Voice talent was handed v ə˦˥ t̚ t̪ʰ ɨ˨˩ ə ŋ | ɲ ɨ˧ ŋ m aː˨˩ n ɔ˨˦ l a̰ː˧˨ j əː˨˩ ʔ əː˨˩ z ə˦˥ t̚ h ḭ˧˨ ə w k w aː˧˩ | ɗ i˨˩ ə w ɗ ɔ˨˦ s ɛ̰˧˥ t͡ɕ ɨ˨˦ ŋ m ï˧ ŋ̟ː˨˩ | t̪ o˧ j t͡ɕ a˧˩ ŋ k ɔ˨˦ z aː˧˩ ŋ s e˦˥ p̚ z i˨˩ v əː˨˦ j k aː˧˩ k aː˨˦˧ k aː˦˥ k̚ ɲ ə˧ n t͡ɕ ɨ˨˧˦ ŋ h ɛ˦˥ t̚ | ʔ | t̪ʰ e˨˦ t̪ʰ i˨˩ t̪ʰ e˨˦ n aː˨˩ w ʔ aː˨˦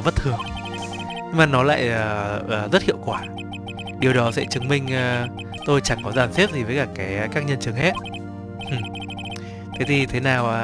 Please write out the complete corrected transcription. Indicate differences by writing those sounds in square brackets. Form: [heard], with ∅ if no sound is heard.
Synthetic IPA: v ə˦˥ t̚ t̪ʰ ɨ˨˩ ə ŋ | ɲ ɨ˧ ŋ m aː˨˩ n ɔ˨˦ l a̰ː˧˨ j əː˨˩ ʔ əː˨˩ z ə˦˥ t̚ h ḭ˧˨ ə w k w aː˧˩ | ɗ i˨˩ ə w ɗ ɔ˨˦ s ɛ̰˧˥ t͡ɕ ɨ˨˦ ŋ m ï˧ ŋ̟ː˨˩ | t̪ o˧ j t͡ɕ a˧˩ ŋ k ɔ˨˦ z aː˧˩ [n] s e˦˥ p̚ z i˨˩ v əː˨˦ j k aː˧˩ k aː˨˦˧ k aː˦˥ k̚ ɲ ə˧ n t͡ɕ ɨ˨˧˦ ŋ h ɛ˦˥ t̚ | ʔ | t̪ʰ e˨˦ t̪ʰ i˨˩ t̪ʰ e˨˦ n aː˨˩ w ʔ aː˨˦